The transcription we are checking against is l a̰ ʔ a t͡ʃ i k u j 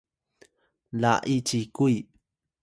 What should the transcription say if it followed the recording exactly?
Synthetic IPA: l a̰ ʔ i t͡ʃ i k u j